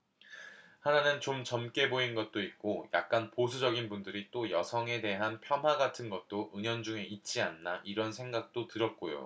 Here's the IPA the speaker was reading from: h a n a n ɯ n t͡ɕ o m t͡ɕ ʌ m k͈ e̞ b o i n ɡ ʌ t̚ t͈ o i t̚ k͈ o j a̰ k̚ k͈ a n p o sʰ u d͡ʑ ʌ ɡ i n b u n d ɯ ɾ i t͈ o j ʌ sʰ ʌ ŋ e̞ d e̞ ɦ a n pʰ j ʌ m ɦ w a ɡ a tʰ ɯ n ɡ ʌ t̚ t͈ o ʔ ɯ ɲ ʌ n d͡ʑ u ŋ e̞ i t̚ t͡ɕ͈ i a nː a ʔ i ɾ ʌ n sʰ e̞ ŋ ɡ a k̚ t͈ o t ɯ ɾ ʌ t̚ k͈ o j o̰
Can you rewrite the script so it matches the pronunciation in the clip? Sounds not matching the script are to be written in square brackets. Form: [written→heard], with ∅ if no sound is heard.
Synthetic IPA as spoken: h a n a n ɯ n t͡ɕ o m t͡ɕ ʌ m k͈ e̞ b o i n ɡ ʌ t̚ t͈ o i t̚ k͈ o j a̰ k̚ k͈ a n p o sʰ u d͡ʑ ʌ ɡ i n b u n d ɯ ɾ i t͈ o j ʌ sʰ ʌ ŋ e̞ d e̞ ɦ a n pʰ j ʌ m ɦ w a ɡ a tʰ ɯ n ɡ ʌ t̚ t͈ o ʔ ɯ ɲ ʌ n d͡ʑ u ŋ e̞ i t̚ t͡ɕ͈ i a nː a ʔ i ɾ ʌ n sʰ e̞ ŋ ɡ a k̚ t͈ o t ɯ ɾ ʌ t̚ k͈ o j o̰